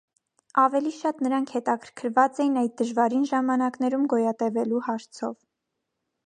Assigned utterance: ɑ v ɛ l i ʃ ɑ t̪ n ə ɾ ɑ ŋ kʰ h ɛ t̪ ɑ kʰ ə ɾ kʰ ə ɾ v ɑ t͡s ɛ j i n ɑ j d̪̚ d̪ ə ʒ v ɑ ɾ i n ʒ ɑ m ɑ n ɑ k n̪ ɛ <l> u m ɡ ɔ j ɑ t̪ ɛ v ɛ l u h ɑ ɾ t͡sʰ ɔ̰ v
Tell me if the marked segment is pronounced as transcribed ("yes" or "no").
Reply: no